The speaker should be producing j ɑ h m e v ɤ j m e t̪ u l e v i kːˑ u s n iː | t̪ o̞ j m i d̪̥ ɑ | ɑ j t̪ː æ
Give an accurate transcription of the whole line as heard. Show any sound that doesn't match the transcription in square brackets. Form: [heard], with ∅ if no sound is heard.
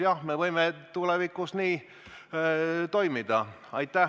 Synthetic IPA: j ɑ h m e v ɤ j m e t̪ u l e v i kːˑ u s n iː | t̪ o̞ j m i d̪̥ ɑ | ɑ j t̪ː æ